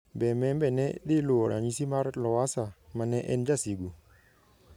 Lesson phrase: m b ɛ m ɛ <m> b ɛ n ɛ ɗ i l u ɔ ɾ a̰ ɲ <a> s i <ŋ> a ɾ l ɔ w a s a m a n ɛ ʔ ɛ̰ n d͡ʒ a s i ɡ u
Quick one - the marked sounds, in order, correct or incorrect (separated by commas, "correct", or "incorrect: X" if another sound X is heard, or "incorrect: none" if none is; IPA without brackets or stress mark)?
correct, incorrect: i, incorrect: m